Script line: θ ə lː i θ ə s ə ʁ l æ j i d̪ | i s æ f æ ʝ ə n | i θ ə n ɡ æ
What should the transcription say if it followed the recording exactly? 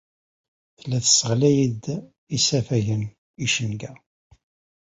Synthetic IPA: θ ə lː æ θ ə s ə ʁ l æ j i d̪ | i s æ f æ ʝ ə n | i ʃ ə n ɡ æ